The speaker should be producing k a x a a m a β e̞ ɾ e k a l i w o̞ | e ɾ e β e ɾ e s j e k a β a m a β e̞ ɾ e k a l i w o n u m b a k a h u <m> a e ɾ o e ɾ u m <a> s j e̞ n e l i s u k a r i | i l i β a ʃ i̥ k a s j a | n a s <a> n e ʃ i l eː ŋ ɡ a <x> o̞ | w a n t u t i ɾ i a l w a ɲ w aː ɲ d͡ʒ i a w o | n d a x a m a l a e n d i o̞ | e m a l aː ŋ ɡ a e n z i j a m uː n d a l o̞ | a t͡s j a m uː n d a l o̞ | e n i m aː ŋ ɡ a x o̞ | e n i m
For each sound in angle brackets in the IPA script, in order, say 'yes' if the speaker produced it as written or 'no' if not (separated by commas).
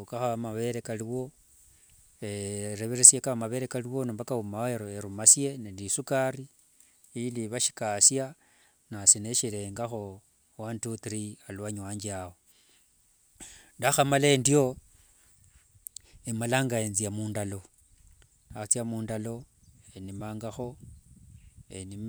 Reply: yes, yes, no, yes